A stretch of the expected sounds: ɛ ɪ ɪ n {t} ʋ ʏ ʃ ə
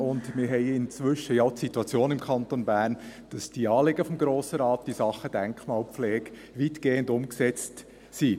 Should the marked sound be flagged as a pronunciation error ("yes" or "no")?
yes